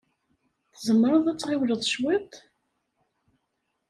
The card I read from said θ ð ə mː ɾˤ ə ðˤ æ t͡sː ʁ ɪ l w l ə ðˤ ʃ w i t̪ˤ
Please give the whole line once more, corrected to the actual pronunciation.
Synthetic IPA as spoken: θ z ə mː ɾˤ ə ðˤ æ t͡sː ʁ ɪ w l ə ðˤ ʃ w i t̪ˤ